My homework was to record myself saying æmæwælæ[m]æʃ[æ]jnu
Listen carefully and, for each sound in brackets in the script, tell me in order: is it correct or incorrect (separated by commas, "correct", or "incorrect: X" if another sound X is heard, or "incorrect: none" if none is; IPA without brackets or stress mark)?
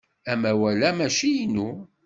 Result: correct, incorrect: i